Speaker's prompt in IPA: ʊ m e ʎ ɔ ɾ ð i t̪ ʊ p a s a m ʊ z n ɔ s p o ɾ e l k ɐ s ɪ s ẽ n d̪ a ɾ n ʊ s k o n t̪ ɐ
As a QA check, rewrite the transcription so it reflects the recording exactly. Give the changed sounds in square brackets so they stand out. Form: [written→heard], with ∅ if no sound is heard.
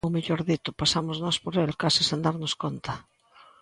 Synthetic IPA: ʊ m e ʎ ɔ ɾ ð i t̪ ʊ p a s a m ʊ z n ɔ s p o ɾ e l k [ɐ→a] s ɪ s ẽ n d̪ a ɾ n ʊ s k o n t̪ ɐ